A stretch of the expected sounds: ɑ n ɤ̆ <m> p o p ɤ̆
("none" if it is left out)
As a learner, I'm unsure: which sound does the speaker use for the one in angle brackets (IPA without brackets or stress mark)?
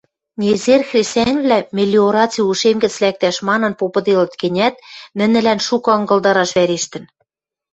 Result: n